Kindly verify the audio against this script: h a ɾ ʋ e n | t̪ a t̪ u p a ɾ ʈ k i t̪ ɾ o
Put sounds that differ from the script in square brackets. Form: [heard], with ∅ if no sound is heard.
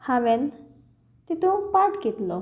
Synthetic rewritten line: h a [∅] ʋ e n | t̪ [i] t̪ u p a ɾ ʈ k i t̪ [l] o

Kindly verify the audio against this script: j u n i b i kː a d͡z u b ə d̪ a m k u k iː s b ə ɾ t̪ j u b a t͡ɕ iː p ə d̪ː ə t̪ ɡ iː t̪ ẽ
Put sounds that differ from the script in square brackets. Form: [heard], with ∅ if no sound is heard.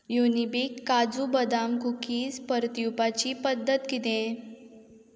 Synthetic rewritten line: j u n i b i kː a d͡z u b ə d̪ a m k u k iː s [p] ə ɾ t̪ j u [p] a t͡ɕ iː p ə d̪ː ə t̪ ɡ [i] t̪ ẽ

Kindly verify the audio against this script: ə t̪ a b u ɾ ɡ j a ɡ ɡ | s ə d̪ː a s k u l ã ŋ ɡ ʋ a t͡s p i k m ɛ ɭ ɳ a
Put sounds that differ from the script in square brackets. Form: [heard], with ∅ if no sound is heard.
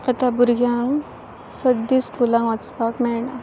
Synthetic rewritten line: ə t̪ a b u ɾ ɡ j a [ŋ] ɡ | s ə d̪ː [i] s k u l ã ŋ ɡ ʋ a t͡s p [a] k m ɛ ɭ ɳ a

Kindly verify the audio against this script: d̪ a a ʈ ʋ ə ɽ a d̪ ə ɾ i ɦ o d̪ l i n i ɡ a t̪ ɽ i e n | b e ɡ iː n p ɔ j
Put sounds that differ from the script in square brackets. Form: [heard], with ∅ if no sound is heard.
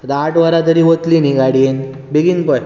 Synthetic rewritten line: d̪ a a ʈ ʋ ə [ɾ] a [t̪] ə ɾ i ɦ o [t̪] l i n i ɡ a [∅] ɽ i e n | b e ɡ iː n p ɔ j

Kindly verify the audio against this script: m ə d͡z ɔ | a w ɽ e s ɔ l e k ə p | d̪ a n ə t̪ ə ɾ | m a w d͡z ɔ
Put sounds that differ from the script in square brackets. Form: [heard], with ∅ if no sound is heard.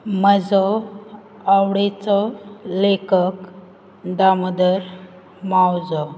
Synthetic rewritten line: m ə d͡z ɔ | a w ɽ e [t͡s] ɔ l e k ə [k] | d̪ a [m] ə [d̪] ə ɾ | m a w d͡z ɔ

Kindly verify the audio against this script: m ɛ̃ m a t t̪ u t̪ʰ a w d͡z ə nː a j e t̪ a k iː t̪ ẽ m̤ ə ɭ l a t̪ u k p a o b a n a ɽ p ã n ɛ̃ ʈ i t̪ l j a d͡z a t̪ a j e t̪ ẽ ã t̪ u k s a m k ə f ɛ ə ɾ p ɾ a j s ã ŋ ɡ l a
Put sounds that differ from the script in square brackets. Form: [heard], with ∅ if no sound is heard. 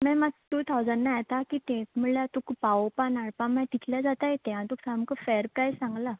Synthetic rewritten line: m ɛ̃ m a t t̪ u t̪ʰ a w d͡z ə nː a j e t̪ a k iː t̪ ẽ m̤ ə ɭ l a t̪ u k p a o [p] a n a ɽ p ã [m] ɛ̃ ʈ i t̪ l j a d͡z a t̪ a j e t̪ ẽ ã t̪ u k s a m k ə f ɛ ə ɾ p ɾ a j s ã ŋ ɡ l a

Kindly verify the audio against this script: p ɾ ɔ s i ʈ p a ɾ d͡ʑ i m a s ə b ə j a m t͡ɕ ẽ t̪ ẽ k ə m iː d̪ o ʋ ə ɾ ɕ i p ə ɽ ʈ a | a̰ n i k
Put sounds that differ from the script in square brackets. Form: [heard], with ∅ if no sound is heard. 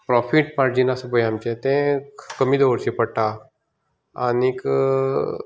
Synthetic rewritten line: p ɾ ɔ [f] i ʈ p a ɾ d͡ʑ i [n] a s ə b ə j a m t͡ɕ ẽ t̪ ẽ k ə m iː d̪ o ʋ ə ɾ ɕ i p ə ɽ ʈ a | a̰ n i k

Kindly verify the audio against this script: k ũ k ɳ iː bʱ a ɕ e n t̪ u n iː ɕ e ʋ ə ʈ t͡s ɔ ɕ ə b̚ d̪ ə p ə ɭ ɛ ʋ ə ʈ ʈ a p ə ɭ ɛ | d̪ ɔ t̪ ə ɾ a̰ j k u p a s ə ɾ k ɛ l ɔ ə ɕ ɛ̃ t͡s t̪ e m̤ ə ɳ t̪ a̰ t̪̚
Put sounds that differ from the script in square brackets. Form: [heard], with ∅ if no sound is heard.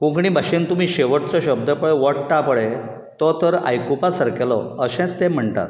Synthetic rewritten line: k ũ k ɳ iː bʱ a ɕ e n t̪ u [m] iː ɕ e ʋ ə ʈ t͡s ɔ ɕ ə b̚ d̪ ə p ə ɭ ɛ ʋ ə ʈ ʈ a p ə ɭ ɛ | [t̪] ɔ t̪ ə ɾ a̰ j k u p a s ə ɾ k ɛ l ɔ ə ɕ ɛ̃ t͡s t̪ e m̤ ə ɳ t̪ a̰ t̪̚

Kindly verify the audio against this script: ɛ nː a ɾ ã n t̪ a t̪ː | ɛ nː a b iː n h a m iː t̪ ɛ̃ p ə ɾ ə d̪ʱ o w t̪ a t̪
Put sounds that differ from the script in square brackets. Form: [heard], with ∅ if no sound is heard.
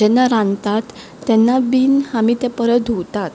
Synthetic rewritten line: ɛ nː a ɾ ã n t̪ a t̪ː | ɛ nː a b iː n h a m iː t̪ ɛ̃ p ə ɾ ə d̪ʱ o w t̪ a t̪

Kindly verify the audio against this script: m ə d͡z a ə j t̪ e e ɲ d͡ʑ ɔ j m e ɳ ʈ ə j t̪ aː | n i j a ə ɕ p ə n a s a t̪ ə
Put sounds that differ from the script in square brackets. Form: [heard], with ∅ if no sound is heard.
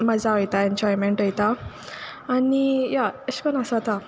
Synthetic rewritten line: m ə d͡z a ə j t̪ [a] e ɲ d͡ʑ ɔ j m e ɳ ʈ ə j t̪ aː | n i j a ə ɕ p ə n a s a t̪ [a]

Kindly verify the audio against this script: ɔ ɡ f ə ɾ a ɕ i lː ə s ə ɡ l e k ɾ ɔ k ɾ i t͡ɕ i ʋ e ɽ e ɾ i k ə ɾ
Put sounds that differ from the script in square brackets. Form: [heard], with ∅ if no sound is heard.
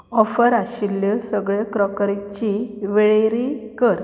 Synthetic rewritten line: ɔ [∅] f ə ɾ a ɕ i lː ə s ə ɡ [ɭ] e k ɾ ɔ k ɾ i t͡ɕ i ʋ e [ɭ] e ɾ i k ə ɾ

